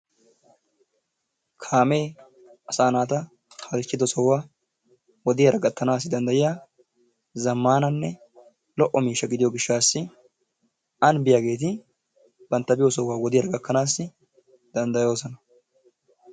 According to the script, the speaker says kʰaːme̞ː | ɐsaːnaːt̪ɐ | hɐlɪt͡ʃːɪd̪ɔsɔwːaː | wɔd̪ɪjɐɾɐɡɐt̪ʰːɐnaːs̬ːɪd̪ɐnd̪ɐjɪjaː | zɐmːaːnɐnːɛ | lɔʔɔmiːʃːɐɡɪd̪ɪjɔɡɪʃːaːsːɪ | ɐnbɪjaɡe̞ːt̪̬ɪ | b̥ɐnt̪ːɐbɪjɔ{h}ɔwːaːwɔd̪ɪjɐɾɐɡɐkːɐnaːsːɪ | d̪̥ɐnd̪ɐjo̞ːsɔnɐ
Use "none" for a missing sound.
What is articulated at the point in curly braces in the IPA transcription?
s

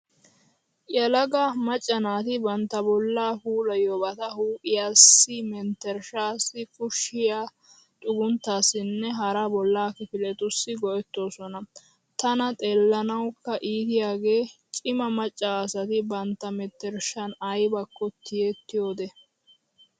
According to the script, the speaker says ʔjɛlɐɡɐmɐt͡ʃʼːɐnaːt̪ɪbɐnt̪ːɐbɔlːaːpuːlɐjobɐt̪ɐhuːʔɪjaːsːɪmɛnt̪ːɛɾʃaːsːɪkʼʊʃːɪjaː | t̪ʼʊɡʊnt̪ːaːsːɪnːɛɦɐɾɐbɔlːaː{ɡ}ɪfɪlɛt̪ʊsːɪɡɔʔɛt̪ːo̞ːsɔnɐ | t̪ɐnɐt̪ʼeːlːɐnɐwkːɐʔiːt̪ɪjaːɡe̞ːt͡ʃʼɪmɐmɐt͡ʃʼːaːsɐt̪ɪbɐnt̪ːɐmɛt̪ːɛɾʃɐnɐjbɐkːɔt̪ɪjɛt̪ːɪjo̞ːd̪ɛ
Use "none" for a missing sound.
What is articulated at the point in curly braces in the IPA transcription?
k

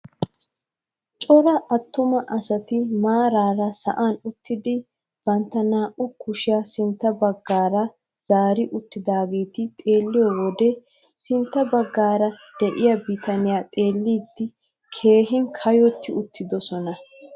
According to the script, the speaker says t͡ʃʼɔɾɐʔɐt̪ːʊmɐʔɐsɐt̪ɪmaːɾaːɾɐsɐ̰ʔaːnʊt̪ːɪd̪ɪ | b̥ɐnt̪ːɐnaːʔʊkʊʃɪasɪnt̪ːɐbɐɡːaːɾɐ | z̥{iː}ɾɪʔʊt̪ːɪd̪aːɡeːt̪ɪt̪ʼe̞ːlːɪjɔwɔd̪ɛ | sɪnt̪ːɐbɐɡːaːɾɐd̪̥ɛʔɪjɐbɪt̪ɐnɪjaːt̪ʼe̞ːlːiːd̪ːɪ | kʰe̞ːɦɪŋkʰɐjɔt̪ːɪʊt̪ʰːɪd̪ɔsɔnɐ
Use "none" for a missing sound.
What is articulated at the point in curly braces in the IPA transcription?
aː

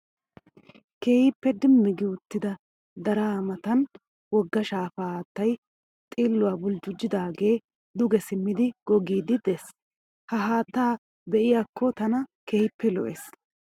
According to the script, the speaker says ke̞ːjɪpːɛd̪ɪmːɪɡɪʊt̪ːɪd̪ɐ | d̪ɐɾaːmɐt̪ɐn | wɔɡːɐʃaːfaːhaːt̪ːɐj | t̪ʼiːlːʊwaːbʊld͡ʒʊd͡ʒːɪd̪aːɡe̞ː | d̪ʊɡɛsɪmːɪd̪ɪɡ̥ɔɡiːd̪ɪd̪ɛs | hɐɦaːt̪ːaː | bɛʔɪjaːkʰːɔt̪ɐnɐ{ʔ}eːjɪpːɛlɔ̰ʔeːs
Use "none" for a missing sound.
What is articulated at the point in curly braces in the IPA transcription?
k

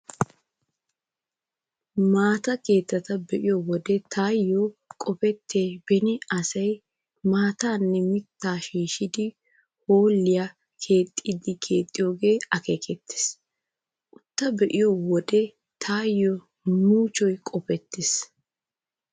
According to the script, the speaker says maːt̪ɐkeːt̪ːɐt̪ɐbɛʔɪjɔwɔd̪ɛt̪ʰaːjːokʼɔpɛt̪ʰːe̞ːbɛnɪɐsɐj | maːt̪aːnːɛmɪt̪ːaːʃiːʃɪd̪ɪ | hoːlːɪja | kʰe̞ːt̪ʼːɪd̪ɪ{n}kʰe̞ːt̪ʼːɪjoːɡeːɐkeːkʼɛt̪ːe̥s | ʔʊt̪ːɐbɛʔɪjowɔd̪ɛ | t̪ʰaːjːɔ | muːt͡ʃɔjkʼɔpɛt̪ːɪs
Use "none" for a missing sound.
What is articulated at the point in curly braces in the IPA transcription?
d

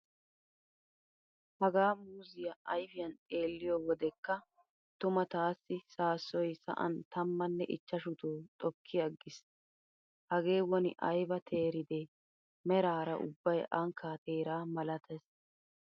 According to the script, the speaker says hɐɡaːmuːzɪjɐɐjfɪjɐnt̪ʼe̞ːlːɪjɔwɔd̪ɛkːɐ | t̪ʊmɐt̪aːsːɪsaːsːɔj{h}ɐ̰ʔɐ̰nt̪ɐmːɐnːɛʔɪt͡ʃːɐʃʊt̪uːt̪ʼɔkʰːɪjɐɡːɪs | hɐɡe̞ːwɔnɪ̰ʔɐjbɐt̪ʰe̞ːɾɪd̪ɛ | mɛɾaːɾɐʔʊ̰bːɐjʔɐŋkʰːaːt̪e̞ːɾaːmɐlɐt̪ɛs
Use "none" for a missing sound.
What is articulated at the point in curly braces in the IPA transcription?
s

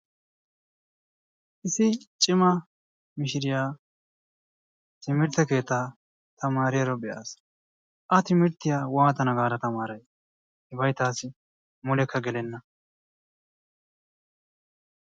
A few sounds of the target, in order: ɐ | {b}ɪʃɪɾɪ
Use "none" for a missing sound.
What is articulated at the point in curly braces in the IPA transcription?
m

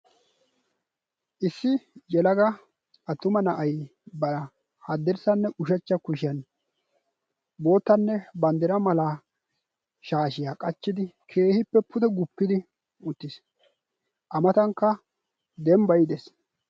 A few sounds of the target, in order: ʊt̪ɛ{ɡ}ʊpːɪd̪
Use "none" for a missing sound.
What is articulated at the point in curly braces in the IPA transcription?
ɡ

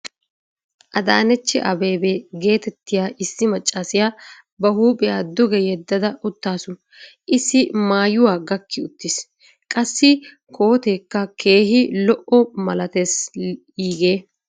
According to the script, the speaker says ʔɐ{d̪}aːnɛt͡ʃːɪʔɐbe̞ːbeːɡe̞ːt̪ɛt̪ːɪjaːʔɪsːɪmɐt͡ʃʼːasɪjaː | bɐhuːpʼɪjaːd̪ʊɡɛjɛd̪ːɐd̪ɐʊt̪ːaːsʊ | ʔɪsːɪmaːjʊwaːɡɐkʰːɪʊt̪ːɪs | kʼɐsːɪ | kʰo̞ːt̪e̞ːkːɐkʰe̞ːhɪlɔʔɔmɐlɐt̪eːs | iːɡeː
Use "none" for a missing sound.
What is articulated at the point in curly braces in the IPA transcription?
d̪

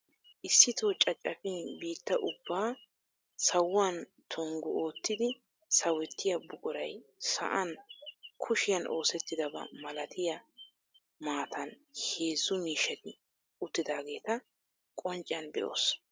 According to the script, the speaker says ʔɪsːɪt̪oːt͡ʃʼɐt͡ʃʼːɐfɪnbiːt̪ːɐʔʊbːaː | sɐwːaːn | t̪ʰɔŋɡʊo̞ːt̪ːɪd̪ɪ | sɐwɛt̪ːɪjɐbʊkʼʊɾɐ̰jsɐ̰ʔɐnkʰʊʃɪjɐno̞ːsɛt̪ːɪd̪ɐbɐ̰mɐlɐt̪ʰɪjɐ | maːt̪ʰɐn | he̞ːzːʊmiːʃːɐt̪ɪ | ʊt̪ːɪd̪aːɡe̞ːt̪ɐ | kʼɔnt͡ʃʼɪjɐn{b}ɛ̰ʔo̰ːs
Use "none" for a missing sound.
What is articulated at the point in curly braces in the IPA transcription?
b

